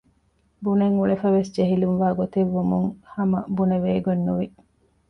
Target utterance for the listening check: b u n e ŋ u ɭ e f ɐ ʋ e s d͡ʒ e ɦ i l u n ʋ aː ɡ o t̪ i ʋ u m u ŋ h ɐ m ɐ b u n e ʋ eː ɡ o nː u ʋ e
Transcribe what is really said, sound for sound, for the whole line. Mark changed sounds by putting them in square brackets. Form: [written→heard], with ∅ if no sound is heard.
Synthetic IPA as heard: b u n e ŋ u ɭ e f ɐ ʋ e s d͡ʒ e ɦ i l u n ʋ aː ɡ o t̪ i [ʋ→ʋː] u m u ŋ h ɐ m ɐ b u n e ʋ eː ɡ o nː u ʋ [e→i]